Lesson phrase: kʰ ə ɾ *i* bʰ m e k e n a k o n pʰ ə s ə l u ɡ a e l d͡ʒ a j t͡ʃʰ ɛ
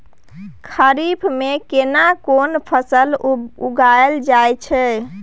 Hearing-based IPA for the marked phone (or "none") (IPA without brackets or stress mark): i